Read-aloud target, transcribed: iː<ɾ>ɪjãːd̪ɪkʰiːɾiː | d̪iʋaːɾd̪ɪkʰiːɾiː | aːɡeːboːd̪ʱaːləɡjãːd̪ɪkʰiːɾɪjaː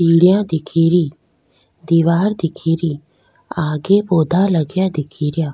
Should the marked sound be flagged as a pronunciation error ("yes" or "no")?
yes